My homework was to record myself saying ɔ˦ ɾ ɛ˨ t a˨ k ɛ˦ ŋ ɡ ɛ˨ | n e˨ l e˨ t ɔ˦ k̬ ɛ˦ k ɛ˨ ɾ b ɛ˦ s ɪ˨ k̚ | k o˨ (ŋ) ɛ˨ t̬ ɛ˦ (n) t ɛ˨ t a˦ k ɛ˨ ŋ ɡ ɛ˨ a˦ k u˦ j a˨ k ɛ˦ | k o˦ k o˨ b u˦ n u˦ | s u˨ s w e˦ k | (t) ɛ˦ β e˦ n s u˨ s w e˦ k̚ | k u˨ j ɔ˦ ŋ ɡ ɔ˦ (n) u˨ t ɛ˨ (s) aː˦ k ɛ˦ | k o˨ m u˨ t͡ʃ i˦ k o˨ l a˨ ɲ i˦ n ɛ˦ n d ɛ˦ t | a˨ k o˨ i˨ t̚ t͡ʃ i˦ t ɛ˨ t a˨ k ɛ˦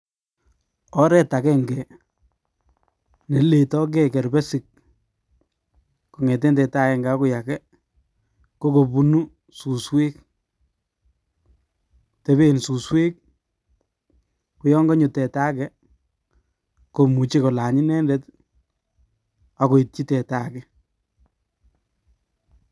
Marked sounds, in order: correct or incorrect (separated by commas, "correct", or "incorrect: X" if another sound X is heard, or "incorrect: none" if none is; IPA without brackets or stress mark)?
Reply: correct, correct, correct, incorrect: ɲ, incorrect: t